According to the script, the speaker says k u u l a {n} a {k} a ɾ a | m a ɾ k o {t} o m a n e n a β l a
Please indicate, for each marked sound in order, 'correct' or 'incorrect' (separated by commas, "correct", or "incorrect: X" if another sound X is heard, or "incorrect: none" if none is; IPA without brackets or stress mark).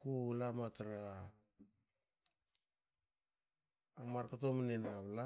incorrect: m, incorrect: t, correct